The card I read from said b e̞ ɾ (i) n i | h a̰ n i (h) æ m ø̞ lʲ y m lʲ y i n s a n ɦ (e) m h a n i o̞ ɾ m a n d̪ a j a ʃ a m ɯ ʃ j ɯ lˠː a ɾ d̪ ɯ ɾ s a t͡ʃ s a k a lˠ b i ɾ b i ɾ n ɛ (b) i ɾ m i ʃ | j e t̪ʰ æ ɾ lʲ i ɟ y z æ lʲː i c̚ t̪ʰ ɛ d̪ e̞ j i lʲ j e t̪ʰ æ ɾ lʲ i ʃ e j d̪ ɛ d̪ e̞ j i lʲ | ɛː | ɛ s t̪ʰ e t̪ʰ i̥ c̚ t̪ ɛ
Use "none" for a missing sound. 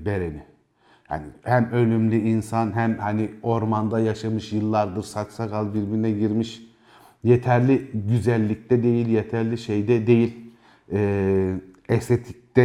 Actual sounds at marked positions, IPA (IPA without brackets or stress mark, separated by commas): e, h, æ, ɟ